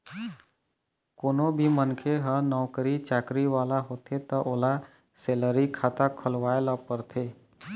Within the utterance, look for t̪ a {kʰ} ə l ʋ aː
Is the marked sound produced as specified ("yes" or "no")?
yes